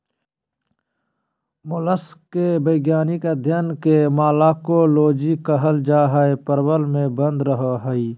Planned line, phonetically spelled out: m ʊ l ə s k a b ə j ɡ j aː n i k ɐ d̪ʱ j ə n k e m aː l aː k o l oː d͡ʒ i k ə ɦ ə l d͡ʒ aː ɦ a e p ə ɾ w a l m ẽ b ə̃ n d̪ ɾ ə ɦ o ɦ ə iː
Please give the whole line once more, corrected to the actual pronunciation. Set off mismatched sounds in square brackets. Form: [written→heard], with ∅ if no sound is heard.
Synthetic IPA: m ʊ l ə s k [a→e] b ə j ɡ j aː n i k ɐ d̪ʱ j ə n k e m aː l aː k o l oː d͡ʒ i k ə ɦ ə l d͡ʒ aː ɦ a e p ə ɾ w [a→ə] l m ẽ b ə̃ n d̪ ɾ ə ɦ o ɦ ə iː

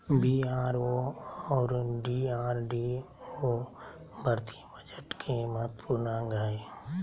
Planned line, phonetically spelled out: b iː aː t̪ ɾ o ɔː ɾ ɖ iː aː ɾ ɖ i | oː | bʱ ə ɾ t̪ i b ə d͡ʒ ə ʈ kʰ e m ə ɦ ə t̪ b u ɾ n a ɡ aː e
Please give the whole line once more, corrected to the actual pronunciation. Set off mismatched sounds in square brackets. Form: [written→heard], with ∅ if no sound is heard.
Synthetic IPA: b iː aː [t̪→∅] ɾ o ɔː ɾ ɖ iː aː ɾ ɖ i | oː | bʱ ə ɾ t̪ i b ə d͡ʒ ə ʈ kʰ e m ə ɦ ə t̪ [b→p] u ɾ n a ɡ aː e

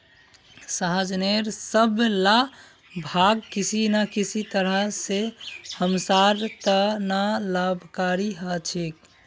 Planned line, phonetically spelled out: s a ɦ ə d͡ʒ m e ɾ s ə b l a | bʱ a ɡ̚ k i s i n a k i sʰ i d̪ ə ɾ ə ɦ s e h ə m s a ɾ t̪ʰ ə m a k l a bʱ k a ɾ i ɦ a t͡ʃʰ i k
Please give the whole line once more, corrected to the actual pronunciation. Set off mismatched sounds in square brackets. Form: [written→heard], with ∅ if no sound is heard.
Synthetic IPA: s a ɦ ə d͡ʒ [m→n] e ɾ s ə b l a | bʱ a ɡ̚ k i s i n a k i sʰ i [d̪→t̪] ə ɾ ə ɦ s e h ə m s a ɾ [t̪ʰ→t̪] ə [m→n] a [k→∅] l a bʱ k a ɾ i ɦ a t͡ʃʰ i k

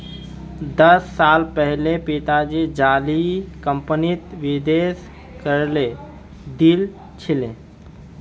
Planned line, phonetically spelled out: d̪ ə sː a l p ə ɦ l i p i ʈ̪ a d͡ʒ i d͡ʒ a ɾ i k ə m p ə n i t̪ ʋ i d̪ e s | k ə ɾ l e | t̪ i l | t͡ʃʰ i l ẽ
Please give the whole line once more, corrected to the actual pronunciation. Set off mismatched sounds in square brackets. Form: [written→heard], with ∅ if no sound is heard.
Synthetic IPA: d̪ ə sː a l p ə ɦ l [i→e] p i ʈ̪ a d͡ʒ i d͡ʒ a [ɾ→l] i k ə m p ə n i t̪ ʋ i d̪ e s | k ə ɾ l e | [t̪→d̪] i l | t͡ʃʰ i l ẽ

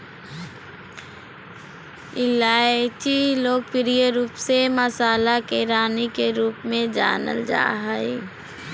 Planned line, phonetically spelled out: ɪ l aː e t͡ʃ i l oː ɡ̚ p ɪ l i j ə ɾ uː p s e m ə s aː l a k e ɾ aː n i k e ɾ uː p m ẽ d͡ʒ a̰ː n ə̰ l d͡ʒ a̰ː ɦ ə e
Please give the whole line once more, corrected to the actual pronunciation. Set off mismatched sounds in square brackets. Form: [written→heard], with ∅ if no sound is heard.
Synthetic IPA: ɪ l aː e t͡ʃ i l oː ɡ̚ p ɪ [l→ɾ] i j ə ɾ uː p s e m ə s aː l a k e ɾ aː n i k e ɾ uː p m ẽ d͡ʒ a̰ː n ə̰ l d͡ʒ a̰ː ɦ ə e

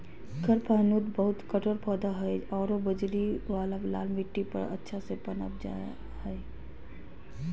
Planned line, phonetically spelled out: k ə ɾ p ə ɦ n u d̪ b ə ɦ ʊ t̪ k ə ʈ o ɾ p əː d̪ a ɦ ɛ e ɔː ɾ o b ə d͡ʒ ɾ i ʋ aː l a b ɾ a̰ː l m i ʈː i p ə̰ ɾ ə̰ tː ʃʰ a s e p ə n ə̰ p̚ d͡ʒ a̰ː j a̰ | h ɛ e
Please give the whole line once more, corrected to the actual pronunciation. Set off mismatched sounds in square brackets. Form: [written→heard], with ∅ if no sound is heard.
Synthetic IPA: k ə ɾ p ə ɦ n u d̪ b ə ɦ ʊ t̪ k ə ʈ o ɾ p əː d̪ a ɦ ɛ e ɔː ɾ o b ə d͡ʒ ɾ i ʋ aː l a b [ɾ→l] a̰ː l m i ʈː i p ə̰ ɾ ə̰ tː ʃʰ a s e p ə n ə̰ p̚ d͡ʒ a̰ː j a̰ | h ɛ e

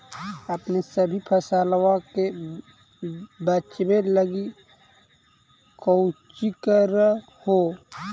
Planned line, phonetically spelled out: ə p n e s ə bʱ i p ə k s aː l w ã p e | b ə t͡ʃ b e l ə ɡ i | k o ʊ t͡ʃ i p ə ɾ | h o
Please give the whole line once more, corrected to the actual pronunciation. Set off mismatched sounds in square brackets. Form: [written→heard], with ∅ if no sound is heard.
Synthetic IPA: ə p n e s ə bʱ i [p→pʰ] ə [k→∅] s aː l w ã [p→k] e | b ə t͡ʃ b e l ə ɡ i | k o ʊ t͡ʃ i [p→k] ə ɾ | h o

